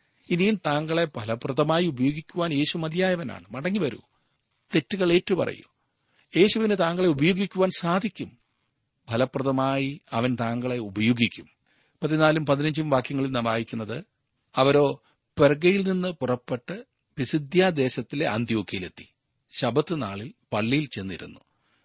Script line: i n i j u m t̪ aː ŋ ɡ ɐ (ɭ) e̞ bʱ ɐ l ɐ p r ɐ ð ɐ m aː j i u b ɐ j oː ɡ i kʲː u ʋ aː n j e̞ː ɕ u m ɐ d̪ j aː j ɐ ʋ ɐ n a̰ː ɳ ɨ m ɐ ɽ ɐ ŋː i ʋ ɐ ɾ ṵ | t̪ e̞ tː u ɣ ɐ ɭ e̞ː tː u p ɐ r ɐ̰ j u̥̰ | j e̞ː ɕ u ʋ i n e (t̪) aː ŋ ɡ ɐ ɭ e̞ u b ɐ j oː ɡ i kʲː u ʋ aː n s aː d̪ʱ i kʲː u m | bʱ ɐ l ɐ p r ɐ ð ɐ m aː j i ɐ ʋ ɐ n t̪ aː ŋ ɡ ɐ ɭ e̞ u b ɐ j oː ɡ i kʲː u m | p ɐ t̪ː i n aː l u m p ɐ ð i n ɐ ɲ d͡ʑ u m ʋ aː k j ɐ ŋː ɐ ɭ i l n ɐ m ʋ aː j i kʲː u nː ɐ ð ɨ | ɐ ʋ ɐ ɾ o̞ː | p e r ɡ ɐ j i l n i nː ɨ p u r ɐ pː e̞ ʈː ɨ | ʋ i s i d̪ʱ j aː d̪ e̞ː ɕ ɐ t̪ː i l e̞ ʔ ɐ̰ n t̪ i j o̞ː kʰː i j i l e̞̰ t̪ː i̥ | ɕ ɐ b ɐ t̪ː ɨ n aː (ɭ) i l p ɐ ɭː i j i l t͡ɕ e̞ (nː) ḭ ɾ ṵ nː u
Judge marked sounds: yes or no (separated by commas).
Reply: yes, yes, yes, yes